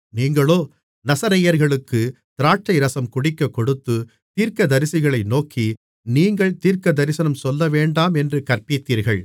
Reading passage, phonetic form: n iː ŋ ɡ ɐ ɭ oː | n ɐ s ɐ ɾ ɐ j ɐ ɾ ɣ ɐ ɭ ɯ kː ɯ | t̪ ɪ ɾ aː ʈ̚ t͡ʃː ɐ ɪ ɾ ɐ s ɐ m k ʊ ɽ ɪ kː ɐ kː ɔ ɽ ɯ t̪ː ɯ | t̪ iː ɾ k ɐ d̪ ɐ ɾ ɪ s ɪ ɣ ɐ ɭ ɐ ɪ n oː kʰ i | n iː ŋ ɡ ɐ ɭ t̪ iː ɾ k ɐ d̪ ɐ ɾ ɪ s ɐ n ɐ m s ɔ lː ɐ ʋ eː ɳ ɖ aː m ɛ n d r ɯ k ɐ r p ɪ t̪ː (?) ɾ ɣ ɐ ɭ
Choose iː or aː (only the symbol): iː